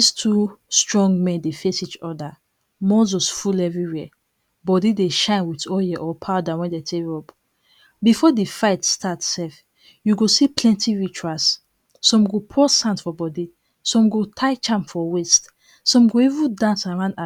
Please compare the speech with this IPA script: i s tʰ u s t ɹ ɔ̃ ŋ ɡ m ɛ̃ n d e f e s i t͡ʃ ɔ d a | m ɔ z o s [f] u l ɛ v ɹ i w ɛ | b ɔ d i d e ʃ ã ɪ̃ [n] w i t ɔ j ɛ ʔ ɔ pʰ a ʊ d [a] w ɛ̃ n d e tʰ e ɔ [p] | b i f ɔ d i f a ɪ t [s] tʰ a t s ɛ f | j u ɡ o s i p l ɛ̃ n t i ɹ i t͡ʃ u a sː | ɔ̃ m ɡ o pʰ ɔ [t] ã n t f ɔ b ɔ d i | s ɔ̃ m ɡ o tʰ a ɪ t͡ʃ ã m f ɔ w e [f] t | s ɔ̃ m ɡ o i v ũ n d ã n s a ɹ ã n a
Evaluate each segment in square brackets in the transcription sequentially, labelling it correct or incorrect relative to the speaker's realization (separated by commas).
correct, correct, correct, correct, correct, incorrect, incorrect